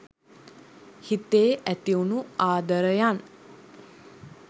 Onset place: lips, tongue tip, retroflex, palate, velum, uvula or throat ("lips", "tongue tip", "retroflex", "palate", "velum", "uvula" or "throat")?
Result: throat